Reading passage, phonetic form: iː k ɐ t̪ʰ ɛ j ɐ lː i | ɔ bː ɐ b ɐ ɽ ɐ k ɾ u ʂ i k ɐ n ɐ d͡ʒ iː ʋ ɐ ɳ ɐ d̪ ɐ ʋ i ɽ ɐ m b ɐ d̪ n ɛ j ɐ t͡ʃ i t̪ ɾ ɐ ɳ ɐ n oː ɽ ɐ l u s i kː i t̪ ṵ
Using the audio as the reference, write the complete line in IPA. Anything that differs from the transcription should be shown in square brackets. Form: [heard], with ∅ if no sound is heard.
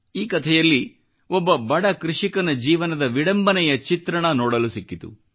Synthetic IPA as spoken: iː k ɐ t̪ʰ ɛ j ɐ lː i | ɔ bː ɐ b ɐ ɽ ɐ k ɾ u ʂ i k ɐ n ɐ d͡ʒ iː ʋ ɐ [n] ɐ d̪ ɐ ʋ i ɽ ɐ m b ɐ [∅] n ɛ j ɐ t͡ʃ i t̪ ɾ ɐ ɳ ɐ n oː ɽ ɐ l u s i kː i t̪ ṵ